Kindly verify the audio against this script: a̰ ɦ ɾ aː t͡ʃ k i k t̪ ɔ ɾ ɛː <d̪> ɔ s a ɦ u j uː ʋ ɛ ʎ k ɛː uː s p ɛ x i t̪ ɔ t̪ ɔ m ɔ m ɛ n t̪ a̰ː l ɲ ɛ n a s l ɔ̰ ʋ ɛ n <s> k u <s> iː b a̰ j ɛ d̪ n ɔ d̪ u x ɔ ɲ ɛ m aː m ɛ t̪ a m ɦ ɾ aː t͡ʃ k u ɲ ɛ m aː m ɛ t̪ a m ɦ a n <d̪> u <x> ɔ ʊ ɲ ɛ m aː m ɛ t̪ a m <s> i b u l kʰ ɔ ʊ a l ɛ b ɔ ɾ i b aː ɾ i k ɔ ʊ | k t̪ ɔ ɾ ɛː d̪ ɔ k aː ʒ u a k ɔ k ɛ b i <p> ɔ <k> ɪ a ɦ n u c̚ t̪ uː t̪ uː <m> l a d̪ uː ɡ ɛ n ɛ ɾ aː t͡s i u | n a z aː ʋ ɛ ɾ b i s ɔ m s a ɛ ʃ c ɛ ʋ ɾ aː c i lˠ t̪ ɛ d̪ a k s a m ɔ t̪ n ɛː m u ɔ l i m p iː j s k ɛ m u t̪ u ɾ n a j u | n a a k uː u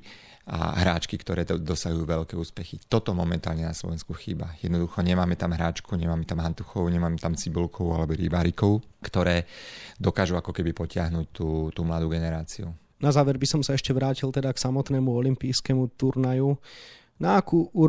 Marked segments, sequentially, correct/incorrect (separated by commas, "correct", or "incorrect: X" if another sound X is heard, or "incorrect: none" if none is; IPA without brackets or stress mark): correct, correct, incorrect: x, incorrect: t̪, correct, incorrect: t͡s, correct, incorrect: c, correct